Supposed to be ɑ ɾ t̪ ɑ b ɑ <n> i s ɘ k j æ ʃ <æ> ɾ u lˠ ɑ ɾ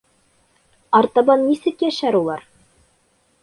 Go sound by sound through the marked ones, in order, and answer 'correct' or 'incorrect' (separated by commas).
incorrect, correct